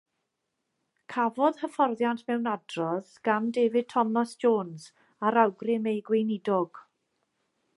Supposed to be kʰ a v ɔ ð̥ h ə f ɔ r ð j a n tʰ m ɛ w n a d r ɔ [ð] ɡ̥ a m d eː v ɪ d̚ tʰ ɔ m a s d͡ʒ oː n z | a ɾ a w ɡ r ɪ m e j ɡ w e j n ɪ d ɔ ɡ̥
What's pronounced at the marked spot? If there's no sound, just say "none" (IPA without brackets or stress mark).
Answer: ð